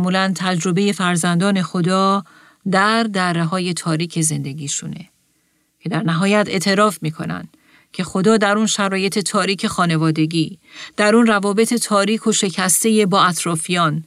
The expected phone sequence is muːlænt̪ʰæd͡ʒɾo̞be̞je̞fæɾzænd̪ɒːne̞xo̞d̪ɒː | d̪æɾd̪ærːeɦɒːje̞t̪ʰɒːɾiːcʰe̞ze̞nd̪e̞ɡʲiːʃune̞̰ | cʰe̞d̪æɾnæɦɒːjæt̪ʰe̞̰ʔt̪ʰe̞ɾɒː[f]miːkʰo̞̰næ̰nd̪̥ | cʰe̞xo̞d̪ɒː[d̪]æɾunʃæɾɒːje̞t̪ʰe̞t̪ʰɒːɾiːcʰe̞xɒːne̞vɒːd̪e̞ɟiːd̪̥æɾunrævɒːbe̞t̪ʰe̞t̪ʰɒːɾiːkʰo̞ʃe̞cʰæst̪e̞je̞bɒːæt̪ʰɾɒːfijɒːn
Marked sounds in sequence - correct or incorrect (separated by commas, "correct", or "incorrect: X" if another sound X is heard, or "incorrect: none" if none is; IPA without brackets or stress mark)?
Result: correct, correct